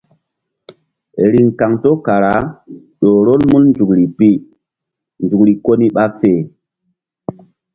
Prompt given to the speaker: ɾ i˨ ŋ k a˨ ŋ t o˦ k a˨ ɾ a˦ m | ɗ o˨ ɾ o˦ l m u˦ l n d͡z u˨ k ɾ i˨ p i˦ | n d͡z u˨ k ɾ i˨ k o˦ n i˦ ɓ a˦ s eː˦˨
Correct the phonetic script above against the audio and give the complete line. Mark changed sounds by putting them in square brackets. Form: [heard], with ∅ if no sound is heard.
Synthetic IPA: ɾ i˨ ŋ k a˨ ŋ t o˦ k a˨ ɾ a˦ [∅] | ɗ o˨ ɾ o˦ l m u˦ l n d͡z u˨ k ɾ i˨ p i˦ | n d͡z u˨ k ɾ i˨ k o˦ n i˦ ɓ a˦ [f] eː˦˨